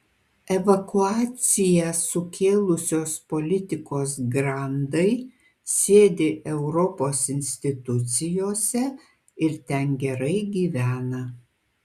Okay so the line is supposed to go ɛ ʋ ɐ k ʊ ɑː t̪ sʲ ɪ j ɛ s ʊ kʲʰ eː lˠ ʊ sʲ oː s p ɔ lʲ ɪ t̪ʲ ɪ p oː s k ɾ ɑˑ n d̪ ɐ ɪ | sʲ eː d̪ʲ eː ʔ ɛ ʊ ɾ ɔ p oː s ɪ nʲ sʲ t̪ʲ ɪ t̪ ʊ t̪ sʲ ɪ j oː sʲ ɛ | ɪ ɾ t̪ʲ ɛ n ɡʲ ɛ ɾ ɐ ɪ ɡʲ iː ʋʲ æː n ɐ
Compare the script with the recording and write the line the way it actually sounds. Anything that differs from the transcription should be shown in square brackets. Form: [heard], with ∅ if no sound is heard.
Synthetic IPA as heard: ɛ ʋ ɐ k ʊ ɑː t̪ sʲ ɪ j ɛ s ʊ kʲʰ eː lˠ ʊ sʲ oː s p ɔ lʲ ɪ t̪ʲ ɪ [k] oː s [ɡ] ɾ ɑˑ n d̪ ɐ ɪ | sʲ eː d̪ʲ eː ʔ ɛ ʊ ɾ ɔ p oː s ɪ nʲ sʲ t̪ʲ ɪ t̪ ʊ t̪ sʲ ɪ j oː sʲ ɛ | ɪ ɾ t̪ʲ ɛ n ɡʲ ɛ ɾ ɐ ɪ ɡʲ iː ʋʲ æː n ɐ